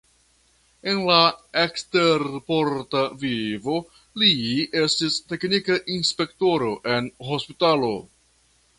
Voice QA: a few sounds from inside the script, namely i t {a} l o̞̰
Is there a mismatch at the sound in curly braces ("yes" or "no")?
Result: no